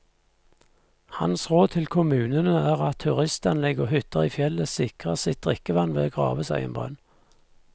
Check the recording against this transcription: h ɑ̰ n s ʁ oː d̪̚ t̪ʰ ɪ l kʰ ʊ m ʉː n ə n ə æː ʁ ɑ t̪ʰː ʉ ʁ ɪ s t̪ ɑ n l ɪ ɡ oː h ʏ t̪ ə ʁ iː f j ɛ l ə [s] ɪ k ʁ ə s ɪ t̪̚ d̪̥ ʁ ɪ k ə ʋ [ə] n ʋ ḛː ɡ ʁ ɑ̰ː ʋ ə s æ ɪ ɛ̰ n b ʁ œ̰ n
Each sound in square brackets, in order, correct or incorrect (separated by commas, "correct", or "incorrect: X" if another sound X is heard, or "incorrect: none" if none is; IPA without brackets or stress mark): correct, incorrect: ɑ